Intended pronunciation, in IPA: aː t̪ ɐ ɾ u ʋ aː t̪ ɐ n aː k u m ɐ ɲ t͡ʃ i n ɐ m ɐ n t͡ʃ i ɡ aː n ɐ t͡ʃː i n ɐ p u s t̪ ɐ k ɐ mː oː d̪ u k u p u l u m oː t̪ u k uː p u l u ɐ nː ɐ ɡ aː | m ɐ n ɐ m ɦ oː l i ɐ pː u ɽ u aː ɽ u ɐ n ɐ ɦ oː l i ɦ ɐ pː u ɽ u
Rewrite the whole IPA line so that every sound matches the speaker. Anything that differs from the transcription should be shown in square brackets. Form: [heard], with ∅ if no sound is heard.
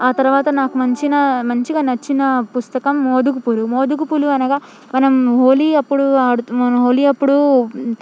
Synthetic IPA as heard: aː t̪ ɐ ɾ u ʋ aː t̪ ɐ n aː k u m ɐ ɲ t͡ʃ i n ɐ m ɐ [ɲ] t͡ʃ i ɡ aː n ɐ t͡ʃː i n ɐ p u s t̪ ɐ k ɐ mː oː d̪ u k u p u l u m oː [d̪] u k [u] p u l u ɐ [n] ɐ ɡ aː | m ɐ n ɐ m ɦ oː l i ɐ pː u ɽ u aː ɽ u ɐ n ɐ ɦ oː l i [∅] ɐ pː u ɽ u